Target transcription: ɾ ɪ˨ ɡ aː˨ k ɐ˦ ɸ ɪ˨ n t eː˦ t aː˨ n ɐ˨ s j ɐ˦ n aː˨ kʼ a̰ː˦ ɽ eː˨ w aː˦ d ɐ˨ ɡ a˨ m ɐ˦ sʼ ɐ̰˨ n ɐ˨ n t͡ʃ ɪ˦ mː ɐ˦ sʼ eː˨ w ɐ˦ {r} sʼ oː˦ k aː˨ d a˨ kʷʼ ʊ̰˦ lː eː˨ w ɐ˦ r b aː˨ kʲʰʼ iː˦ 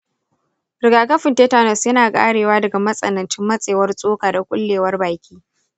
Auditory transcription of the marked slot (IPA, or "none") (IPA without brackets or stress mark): r